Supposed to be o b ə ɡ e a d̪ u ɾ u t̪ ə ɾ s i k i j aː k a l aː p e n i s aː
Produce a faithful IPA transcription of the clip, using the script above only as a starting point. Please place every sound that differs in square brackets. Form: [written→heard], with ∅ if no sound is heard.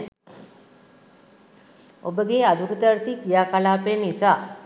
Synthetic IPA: o b ə ɡ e a d̪ u ɾ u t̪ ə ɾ s i k i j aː k a l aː p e n i s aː